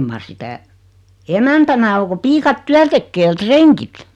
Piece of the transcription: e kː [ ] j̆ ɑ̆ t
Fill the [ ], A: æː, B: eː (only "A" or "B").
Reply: B